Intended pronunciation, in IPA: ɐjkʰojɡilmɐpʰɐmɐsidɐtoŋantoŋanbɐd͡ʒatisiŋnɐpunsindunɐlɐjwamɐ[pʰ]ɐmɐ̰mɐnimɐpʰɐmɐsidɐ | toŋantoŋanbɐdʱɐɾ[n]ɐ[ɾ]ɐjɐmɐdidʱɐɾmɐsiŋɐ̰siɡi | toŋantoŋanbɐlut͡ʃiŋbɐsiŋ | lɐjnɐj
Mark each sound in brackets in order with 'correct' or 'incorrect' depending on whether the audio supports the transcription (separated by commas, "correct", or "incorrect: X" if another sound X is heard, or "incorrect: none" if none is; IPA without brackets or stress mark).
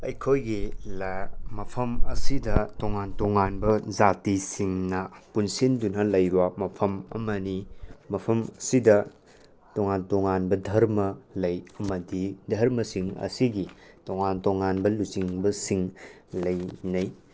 correct, incorrect: m, incorrect: l